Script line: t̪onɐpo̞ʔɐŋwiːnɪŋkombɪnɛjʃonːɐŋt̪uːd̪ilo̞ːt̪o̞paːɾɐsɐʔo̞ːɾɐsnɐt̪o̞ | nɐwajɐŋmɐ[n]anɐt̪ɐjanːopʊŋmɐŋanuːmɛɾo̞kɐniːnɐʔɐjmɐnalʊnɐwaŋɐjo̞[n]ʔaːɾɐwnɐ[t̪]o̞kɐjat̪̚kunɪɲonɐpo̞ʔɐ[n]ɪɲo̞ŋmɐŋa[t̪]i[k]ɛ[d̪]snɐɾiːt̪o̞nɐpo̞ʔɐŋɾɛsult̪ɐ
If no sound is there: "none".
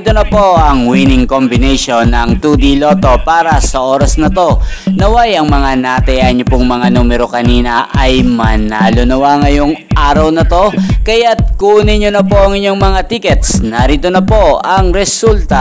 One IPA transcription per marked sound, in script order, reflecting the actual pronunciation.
ŋ, ŋ, t̪, ŋ, t̪, k, t̪

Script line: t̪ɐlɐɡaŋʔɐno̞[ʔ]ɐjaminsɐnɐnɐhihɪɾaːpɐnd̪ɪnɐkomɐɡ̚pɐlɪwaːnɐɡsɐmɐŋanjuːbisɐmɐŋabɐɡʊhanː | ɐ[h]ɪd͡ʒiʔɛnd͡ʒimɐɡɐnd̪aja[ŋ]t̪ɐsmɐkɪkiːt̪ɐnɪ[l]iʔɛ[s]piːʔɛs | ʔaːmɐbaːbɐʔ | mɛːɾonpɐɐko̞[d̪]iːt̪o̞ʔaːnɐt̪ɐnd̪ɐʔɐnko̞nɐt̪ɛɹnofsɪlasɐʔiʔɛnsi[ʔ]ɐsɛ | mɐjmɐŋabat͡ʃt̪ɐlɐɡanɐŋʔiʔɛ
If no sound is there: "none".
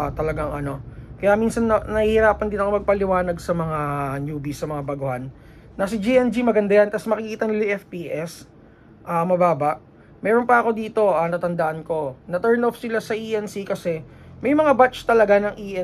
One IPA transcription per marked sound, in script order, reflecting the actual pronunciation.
k, s, n, l, f, d̪, k

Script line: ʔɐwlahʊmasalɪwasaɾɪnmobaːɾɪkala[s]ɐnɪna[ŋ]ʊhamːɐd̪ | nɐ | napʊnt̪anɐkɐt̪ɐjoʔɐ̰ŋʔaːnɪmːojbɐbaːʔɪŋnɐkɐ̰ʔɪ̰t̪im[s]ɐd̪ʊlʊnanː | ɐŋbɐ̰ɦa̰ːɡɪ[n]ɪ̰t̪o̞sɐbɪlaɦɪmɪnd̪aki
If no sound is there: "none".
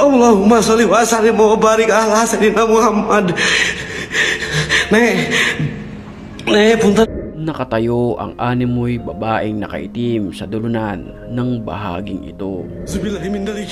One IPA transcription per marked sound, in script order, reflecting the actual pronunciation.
s, m, s, ŋ

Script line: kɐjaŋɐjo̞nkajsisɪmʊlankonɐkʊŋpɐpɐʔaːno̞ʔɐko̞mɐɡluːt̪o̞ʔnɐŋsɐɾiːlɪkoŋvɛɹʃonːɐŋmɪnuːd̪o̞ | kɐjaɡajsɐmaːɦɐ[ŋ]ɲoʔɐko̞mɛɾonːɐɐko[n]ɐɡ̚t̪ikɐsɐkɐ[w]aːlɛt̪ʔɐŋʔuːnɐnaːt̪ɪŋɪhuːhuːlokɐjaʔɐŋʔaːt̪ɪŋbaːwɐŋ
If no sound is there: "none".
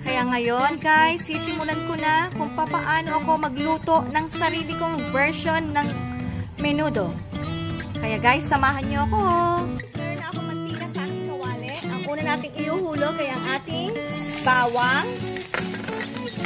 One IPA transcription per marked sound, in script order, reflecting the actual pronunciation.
n, m, w

